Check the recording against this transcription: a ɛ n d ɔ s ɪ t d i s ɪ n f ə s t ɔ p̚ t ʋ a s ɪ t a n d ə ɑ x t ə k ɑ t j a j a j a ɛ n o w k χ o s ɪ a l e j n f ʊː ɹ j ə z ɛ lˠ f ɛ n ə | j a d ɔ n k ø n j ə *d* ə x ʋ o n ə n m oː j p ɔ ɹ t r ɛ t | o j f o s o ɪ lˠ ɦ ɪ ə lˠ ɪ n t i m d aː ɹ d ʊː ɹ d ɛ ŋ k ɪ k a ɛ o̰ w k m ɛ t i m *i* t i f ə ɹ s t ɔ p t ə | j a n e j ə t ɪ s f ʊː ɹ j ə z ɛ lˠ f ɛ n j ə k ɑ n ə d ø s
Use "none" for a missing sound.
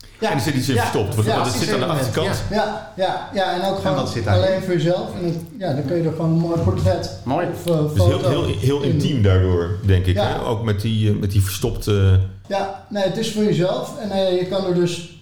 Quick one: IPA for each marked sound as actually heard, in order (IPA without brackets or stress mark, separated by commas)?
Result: d, ɛ